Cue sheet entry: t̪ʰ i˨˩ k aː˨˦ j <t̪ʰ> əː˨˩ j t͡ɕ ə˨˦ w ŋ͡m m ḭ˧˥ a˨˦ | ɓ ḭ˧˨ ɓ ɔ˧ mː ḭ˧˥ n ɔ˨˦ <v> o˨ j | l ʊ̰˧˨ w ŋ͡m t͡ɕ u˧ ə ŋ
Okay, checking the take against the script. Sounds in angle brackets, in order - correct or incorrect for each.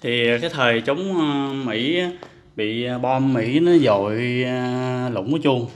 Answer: correct, incorrect

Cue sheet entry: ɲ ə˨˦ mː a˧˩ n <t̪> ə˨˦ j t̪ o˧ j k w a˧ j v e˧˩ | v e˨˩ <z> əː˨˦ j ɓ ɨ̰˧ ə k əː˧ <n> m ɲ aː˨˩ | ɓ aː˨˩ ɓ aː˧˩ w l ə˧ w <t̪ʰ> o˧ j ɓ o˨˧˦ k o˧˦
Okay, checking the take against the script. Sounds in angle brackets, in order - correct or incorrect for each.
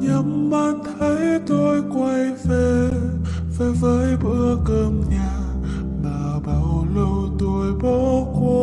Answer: incorrect, incorrect, incorrect, incorrect

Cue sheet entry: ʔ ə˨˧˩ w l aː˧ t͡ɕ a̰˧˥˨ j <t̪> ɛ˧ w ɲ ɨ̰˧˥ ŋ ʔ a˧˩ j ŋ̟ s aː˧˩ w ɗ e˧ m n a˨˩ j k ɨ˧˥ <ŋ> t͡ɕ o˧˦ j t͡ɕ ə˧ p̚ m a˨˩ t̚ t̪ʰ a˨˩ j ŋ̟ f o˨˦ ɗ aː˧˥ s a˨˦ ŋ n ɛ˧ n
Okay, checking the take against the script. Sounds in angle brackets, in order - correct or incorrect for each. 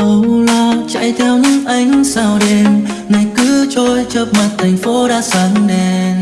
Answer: incorrect, incorrect

